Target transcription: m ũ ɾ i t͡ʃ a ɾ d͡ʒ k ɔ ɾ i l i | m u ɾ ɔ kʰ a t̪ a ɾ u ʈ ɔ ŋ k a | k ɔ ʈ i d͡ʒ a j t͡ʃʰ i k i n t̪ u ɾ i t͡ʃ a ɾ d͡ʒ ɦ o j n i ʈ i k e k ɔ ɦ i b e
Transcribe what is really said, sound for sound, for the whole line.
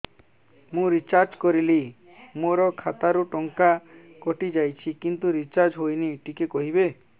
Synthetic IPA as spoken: m ũ ɾ i t͡ʃ a ɾ d͡ʒ k ɔ ɾ i l i | m o ɾ ɔ kʰ a t̪ a ɾ u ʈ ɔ ŋ k a | k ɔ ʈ i d͡ʒ a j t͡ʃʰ i k i n t̪ u ɾ i t͡ʃ a ɾ d͡ʒ ɦ o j n i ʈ i k e k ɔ ɦ i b e